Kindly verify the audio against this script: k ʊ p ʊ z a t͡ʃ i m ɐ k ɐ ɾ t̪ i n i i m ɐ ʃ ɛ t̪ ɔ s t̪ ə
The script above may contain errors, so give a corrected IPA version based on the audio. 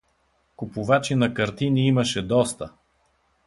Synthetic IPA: k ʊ p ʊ v a t͡ʃ i n ɐ k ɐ ɾ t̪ i n i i m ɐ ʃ ɛ d̪ ɔ s t̪ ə

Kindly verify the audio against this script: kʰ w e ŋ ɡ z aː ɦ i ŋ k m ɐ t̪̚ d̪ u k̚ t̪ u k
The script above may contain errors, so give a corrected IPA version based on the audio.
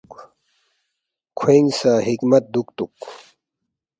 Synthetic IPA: kʰ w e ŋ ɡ s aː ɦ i k m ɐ t̪̚ d̪ u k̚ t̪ u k

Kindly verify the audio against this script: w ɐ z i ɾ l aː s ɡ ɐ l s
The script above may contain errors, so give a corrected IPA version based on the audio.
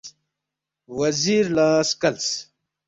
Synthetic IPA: w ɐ z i ɾ l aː s k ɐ l s

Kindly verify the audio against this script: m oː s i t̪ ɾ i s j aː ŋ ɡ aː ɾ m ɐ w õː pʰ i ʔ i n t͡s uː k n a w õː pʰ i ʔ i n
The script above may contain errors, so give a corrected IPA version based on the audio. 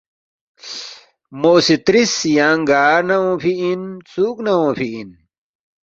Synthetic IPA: m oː s i t̪ ɾ i s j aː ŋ ɡ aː ɾ n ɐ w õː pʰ i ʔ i n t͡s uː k n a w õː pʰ i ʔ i n

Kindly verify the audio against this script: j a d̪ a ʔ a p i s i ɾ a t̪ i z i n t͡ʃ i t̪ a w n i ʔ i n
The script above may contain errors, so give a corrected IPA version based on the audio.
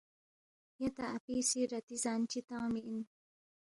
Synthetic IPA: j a t̪ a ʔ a p i s i ɾ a t̪ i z a n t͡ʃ i t̪ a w m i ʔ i n

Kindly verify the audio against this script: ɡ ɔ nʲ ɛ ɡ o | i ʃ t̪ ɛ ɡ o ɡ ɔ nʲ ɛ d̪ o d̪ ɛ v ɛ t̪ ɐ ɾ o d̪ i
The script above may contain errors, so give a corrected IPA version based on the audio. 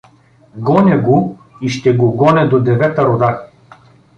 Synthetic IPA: ɡ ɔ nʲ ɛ ɡ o | i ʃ t̪ ɛ ɡ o ɡ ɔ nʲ ɛ d̪ o d̪ ɛ v ɛ t̪ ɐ ɾ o d̪ a

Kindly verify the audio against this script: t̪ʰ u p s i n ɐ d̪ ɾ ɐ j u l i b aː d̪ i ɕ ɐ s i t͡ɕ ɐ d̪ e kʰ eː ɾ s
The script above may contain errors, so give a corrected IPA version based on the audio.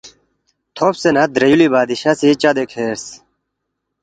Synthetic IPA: t̪ʰ o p s e n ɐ d̪ ɾ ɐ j u l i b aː d̪ i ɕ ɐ s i t͡ɕ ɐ d̪ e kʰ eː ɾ s

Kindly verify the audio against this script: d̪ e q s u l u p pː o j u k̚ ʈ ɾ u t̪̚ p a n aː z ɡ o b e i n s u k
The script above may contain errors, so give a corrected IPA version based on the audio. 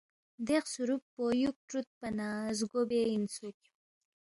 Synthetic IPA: d̪ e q s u ɾ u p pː o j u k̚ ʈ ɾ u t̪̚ p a n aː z ɡ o b e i n s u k

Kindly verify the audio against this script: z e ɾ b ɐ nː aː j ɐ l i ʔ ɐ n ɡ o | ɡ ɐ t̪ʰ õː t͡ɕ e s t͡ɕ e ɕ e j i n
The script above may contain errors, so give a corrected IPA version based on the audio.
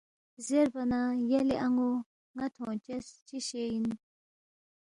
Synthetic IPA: z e ɾ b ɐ n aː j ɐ l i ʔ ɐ ŋ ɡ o | ŋ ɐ t̪ʰ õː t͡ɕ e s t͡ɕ i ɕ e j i n

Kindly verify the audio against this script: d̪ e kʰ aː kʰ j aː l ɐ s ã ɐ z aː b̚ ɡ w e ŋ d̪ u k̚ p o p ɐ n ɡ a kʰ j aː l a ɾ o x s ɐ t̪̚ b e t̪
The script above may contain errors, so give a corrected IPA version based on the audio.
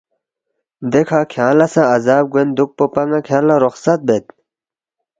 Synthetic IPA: d̪ e kʰ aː kʰ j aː l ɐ s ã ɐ z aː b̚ ɡ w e n d̪ u k̚ p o p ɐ ŋ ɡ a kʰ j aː l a ɾ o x s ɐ t̪̚ b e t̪

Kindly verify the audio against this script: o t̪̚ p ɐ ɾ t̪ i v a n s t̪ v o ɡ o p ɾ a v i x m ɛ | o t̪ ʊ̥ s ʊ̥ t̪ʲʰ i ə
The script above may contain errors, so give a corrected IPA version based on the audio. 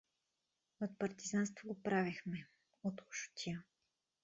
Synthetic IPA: o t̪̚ p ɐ ɾ t̪ i z a n s t̪ v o ɡ o p ɾ a v i x m ɛ | o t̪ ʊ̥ ʃ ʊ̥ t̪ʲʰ i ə

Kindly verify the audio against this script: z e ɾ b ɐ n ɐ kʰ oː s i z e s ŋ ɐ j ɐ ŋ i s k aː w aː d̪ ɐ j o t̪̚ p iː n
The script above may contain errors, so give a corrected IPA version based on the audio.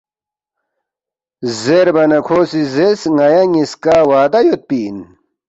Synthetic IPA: z e ɾ b ɐ n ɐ kʰ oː s i z e s ŋ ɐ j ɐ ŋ i s k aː w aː d̪ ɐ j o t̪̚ p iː n

